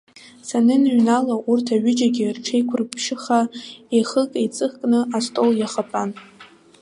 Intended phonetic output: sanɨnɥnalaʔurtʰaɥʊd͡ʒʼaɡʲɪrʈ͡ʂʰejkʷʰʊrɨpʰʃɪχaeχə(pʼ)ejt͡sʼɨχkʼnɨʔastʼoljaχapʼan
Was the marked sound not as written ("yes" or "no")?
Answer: yes